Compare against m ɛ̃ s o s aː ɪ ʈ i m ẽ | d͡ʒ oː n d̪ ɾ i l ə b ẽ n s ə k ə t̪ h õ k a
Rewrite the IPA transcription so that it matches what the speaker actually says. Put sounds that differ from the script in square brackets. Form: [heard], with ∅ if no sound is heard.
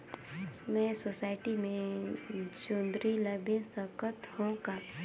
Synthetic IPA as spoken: m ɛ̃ s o s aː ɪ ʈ i m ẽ | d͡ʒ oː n d̪ ɾ i l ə b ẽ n s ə k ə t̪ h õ k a